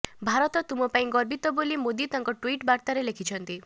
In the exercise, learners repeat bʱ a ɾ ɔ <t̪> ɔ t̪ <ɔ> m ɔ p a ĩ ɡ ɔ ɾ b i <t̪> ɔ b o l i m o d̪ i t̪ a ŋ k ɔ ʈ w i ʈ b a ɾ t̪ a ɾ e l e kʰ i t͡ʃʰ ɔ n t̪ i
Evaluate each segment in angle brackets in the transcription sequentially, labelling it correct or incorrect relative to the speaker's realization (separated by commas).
correct, incorrect, correct